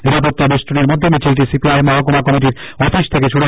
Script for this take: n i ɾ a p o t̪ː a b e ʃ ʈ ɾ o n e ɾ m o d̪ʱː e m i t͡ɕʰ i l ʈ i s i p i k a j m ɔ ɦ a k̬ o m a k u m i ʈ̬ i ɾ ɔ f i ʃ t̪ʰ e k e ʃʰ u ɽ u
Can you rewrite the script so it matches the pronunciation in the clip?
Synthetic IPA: n i ɾ a p o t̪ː a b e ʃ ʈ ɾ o n e ɾ m o d̪ʱː e m i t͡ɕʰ i l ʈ i s i p i a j m ɔ ɦ a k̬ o m a k ɔ m i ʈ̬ i ɾ ɔ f i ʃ t̪ʰ e k e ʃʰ u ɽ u